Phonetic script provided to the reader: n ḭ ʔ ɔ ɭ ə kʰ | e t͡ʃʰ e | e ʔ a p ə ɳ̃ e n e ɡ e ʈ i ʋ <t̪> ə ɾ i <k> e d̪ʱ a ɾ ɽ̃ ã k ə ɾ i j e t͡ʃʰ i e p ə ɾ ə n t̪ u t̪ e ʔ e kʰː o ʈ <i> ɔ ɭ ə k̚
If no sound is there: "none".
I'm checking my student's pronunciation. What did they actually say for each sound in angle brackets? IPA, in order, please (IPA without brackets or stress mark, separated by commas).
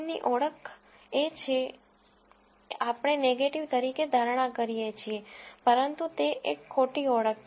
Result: t̪, k, i